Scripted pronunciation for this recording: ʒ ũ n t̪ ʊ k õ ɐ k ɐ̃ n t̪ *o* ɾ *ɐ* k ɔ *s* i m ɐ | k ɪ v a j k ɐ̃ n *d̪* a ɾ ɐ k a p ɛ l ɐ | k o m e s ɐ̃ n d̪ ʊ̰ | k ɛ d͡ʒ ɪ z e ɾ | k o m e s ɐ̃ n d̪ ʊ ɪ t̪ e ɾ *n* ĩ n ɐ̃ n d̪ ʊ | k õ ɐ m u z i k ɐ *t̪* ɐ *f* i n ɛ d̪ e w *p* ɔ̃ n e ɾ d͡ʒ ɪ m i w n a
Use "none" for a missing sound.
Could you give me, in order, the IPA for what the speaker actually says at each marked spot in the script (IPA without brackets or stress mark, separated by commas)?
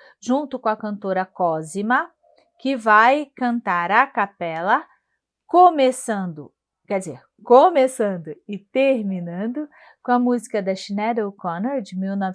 o, ɐ, z, t̪, m, d̪, ʃ, k